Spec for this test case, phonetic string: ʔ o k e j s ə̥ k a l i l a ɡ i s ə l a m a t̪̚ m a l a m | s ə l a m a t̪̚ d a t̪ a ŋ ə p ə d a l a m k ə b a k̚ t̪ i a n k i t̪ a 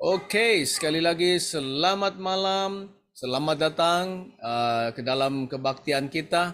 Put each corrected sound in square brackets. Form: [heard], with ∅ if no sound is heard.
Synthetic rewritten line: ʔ o k e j s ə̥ k a l i l a ɡ i s ə l a m a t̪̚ m a l a m | s ə l a m a t̪̚ d a t̪ a ŋ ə [k] ə d a l a m k ə b a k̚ t̪ i a n k i t̪ a